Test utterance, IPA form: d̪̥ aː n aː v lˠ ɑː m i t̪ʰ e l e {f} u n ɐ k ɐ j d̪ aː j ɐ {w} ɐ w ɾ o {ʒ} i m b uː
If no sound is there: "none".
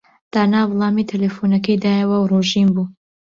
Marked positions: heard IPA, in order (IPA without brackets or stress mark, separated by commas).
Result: f, w, ʒ